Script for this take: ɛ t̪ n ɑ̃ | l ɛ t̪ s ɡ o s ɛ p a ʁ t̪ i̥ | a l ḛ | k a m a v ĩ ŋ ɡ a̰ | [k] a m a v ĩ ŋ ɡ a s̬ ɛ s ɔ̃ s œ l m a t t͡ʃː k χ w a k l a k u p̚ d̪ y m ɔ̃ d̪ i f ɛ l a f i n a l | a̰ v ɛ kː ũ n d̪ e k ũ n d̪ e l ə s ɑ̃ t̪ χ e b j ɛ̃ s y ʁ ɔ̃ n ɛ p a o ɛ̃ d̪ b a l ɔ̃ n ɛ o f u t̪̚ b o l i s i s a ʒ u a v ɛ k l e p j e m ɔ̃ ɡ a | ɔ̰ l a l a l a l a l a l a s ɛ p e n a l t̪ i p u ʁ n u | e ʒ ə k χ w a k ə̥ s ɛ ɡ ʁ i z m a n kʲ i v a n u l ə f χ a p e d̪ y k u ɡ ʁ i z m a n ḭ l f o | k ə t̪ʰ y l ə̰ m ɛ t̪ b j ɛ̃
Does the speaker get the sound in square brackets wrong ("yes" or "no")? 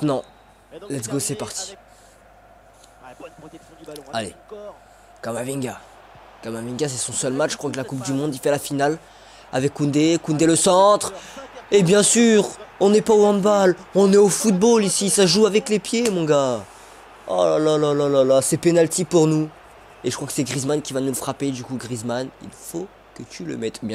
no